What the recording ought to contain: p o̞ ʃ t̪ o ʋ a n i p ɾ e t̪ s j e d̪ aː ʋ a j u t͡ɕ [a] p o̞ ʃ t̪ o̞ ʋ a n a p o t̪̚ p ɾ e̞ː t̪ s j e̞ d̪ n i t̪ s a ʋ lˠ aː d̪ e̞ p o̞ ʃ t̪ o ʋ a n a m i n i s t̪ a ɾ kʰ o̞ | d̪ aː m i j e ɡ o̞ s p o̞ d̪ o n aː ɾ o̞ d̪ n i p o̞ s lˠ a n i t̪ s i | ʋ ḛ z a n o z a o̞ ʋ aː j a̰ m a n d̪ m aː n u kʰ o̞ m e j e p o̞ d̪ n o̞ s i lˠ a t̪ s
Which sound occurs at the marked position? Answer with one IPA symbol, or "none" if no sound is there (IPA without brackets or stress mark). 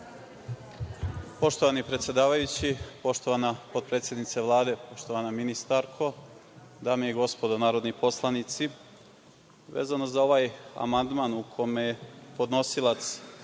i